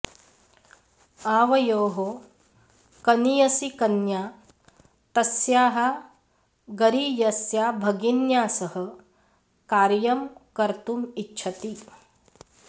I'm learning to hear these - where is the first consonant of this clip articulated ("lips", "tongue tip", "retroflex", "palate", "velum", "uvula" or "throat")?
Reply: lips